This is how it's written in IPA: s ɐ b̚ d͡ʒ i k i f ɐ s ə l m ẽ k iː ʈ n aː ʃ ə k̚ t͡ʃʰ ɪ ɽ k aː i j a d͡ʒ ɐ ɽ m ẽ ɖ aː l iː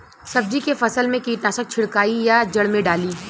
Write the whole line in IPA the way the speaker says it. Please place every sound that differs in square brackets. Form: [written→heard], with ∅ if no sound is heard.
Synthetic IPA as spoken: s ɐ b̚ d͡ʒ i k [i→e] f ɐ s ə l m ẽ k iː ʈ n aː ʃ ə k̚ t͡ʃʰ ɪ ɽ k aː i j a d͡ʒ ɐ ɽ m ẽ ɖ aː l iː